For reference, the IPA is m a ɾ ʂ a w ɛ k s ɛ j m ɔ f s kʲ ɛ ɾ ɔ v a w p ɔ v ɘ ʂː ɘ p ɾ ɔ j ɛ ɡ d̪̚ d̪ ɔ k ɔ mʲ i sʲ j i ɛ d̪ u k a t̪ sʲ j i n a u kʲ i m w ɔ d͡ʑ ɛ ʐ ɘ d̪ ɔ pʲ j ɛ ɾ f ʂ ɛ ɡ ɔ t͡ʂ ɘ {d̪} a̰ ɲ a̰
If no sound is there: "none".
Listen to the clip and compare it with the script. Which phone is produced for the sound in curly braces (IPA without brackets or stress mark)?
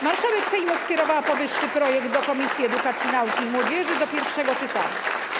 t̪